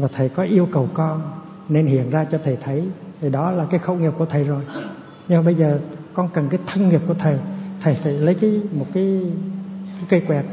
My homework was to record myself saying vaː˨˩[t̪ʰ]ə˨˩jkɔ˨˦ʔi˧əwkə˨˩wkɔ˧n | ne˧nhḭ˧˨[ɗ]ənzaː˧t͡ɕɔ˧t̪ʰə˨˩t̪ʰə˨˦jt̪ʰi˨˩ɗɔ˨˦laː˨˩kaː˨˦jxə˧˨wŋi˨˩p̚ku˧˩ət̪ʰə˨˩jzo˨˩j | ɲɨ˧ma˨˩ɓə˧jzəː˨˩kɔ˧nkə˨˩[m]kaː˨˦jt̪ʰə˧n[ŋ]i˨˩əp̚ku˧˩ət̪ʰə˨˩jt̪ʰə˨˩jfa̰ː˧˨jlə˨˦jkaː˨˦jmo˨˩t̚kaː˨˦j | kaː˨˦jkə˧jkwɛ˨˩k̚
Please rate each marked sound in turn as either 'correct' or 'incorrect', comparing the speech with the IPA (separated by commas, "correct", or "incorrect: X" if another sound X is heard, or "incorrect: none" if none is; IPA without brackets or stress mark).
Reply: correct, incorrect: none, incorrect: n, correct